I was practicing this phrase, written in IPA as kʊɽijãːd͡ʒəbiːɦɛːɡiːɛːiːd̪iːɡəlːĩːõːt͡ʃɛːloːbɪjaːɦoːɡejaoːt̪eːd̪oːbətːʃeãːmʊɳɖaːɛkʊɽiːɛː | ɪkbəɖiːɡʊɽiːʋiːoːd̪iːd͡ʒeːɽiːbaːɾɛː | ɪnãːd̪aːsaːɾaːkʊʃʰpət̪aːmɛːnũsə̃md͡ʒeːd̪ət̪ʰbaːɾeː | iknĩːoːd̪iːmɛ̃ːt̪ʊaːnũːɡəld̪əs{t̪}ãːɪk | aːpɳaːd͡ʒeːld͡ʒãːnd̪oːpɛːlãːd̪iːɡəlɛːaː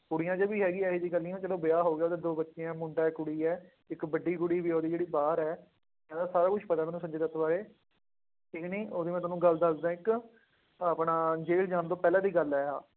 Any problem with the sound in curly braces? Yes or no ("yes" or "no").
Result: yes